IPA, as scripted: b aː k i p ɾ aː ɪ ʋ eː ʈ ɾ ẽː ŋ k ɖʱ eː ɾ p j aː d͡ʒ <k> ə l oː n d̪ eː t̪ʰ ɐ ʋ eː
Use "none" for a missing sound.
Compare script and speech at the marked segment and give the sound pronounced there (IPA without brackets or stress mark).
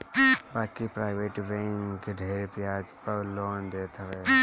p